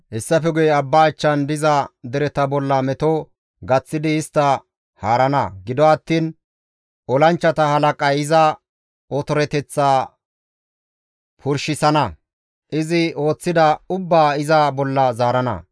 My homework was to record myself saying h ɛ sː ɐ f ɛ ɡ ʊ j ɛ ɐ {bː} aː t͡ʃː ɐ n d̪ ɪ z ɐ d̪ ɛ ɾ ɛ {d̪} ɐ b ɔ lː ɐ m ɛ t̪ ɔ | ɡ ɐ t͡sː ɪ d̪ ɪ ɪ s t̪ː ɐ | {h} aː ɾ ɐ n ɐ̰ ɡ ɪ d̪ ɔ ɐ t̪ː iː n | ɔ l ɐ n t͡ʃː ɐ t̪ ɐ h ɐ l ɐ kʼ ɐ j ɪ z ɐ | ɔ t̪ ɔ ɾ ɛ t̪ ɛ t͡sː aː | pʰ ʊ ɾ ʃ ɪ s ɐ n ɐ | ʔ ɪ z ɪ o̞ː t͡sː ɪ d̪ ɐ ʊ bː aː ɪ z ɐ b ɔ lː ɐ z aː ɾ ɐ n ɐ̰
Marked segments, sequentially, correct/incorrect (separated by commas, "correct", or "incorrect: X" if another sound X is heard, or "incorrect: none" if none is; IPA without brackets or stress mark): correct, incorrect: t̪, correct